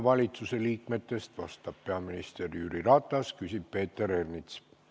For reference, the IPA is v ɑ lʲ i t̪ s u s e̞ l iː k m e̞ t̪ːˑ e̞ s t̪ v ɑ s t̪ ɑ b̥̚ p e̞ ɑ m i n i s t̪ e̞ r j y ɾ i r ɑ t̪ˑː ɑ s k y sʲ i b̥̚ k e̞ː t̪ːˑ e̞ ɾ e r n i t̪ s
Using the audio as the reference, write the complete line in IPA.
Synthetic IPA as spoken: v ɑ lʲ i t̪ s u s e̞ l iː k m e̞ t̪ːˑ e̞ s t̪ v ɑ s t̪ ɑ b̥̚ p e̞ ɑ m i n i s t̪ e̞ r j y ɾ i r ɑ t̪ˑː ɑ s k y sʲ i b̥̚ p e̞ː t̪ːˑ e̞ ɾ e r n i t̪ s